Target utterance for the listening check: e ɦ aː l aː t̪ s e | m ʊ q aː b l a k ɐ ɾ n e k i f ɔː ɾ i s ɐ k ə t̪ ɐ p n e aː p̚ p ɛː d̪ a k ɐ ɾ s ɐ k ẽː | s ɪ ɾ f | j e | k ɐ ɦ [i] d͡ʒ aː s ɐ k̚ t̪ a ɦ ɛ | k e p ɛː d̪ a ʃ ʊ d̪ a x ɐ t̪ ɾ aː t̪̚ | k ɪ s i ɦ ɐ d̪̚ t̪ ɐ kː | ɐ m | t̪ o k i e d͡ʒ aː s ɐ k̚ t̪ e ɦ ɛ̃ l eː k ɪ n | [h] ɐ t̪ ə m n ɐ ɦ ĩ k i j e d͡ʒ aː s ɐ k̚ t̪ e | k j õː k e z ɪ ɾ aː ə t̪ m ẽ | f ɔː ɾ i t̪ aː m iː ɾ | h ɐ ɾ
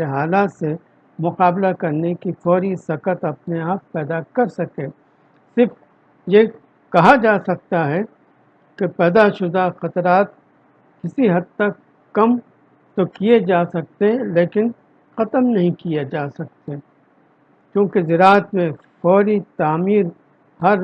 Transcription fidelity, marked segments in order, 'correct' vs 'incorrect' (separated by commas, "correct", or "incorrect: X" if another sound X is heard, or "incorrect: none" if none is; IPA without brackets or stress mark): incorrect: a, incorrect: x